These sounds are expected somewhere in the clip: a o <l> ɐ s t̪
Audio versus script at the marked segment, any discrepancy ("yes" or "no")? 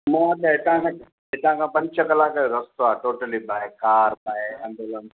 yes